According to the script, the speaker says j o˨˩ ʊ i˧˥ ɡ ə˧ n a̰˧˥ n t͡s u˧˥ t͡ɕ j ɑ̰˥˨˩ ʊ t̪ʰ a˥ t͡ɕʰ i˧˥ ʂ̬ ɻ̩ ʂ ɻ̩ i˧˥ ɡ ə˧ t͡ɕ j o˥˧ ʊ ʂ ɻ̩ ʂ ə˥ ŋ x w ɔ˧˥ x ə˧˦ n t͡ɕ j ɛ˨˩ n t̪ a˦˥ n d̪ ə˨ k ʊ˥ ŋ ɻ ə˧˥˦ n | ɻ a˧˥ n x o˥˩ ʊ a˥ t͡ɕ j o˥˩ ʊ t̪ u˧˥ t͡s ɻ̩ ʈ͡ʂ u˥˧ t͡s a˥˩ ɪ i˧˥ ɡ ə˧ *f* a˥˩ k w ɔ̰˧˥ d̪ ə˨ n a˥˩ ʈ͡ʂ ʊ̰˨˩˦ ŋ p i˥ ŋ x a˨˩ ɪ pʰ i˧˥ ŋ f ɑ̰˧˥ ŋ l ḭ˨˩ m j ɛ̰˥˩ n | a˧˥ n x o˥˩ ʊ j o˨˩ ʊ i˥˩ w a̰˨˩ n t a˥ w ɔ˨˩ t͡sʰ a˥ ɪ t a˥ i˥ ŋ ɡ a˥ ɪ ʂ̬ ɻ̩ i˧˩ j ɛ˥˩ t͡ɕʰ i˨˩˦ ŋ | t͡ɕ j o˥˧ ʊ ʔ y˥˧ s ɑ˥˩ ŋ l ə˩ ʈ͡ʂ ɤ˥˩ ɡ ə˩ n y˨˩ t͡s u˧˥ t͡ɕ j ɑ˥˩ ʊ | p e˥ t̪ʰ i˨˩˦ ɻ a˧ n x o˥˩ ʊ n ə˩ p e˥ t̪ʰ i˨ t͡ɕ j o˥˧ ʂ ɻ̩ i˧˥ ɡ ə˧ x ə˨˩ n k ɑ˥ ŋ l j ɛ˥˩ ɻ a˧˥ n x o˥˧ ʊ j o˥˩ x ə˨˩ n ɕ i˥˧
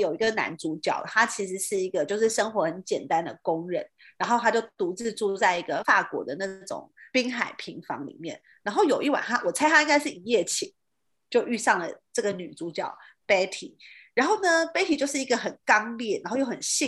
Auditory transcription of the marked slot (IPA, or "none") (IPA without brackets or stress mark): f